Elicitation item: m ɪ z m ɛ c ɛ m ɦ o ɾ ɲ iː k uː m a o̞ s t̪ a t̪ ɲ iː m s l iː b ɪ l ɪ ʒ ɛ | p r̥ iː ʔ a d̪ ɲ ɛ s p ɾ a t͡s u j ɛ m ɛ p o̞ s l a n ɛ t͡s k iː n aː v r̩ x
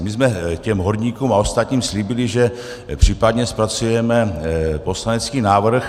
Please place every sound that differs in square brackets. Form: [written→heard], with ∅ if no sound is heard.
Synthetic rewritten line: m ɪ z m ɛ c ɛ m ɦ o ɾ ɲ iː k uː m a o̞ s t̪ a t̪ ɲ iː m s l iː b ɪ l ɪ ʒ ɛ | p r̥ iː [ʔ→p] a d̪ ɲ ɛ s p ɾ a t͡s u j ɛ m ɛ p o̞ s l a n ɛ t͡s k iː n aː v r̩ x